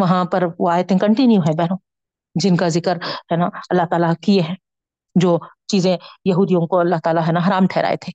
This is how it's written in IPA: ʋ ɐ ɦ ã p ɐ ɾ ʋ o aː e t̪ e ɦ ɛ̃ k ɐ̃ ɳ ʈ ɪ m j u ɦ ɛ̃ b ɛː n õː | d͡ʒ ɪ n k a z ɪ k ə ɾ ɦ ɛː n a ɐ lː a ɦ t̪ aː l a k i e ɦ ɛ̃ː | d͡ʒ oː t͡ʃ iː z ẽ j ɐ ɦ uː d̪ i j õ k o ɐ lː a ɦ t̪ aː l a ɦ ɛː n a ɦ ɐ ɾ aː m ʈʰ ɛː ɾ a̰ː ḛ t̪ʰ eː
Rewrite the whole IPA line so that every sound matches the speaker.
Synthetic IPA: ʋ ɐ ɦ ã p ɐ ɾ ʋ o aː e t̪ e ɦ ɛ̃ k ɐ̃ ɳ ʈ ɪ n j u ɦ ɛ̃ b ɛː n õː | d͡ʒ ɪ n k a z ɪ k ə ɾ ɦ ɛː n a ɐ lː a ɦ t̪ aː l a k i e ɦ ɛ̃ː | d͡ʒ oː t͡ʃ iː z ẽ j ɐ ɦ uː d̪ i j õ k o ɐ lː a ɦ t̪ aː l a ɦ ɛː n a ɦ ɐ ɾ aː m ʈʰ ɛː ɾ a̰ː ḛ t̪ʰ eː